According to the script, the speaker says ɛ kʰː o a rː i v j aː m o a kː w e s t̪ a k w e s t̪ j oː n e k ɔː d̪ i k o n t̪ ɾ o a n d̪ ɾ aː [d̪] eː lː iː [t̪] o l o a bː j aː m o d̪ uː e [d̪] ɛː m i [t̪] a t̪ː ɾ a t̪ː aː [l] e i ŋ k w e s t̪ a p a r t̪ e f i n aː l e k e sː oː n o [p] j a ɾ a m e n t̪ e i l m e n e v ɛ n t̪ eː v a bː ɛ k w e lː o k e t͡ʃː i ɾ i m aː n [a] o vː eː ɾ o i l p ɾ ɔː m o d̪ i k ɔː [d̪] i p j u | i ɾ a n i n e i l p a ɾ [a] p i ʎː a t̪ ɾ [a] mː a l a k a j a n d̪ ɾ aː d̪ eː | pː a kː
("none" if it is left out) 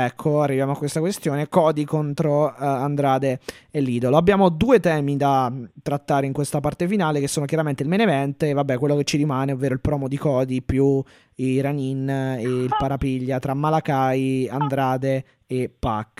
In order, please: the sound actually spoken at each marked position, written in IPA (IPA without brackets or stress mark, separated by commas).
d̪, d̪, t̪, d̪, ɾ, k, e, d̪, a, a